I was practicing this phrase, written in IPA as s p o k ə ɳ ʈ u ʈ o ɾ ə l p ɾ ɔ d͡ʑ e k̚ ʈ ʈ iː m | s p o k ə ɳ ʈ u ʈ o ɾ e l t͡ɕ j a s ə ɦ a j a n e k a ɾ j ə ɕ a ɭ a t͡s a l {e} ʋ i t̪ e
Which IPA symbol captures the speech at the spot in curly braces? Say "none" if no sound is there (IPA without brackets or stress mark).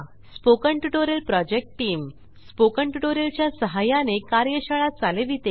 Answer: e